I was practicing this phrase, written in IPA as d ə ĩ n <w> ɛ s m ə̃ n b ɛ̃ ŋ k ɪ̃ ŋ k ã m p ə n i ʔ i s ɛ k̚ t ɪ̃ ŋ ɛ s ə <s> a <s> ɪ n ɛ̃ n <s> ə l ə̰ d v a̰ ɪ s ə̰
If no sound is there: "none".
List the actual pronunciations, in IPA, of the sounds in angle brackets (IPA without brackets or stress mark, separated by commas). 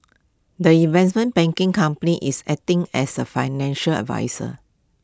v, f, none, ʃ